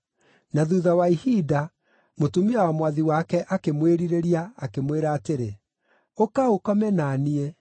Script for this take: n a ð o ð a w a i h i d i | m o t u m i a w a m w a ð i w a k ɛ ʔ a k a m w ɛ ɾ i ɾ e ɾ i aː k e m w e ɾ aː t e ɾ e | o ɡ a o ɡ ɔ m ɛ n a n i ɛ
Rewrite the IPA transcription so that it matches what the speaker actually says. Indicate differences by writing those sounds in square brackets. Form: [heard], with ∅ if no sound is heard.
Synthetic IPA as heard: n a ð [u] ð a w a i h i d [a] | m o t u m i a w a m w a ð i w a k ɛ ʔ a k [e] m w [e] ɾ i ɾ e ɾ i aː k e m w e ɾ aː t e ɾ e | o [k] a o [k] ɔ m ɛ n a n i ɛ

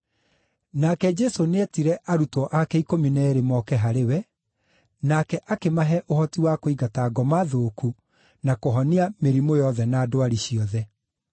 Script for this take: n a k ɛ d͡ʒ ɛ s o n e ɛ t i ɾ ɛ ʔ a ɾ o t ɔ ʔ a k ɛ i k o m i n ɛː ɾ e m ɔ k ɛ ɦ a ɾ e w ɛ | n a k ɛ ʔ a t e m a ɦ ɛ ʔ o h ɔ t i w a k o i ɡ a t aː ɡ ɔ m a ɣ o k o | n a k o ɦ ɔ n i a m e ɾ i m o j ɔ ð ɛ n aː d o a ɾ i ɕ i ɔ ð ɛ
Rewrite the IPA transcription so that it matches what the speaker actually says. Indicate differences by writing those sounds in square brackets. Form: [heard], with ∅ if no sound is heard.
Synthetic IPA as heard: n a k ɛ d͡ʒ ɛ s o n e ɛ t i ɾ ɛ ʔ a ɾ [u] t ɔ ʔ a k ɛ i k o m i n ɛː ɾ e m ɔ k ɛ ɦ a ɾ e w ɛ | n a k ɛ ʔ a [k] e m a ɦ ɛ ʔ o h ɔ t i w a k o i ɡ a t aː ɡ ɔ m a [ð] o k [u] | n a k o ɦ ɔ n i a m e ɾ i m o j ɔ ð ɛ n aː d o a ɾ i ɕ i ɔ ð ɛ

